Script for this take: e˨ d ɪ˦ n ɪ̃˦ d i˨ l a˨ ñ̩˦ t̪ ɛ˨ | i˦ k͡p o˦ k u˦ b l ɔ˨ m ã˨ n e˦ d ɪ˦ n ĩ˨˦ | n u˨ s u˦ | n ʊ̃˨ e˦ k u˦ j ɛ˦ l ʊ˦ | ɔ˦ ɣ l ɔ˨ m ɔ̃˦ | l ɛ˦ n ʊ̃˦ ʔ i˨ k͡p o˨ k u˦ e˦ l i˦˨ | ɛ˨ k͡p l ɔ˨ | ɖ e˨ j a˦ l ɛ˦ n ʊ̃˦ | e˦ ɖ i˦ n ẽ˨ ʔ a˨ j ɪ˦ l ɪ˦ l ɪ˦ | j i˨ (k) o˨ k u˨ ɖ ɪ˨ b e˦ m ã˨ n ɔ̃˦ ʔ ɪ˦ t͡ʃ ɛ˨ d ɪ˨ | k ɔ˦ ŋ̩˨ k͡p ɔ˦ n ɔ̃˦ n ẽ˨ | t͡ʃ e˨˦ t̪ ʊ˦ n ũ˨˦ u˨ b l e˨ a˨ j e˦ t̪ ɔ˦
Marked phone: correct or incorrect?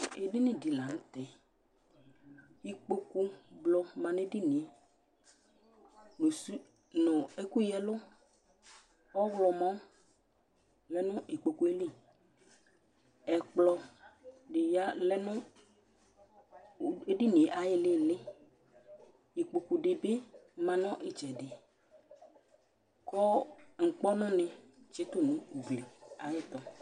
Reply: incorrect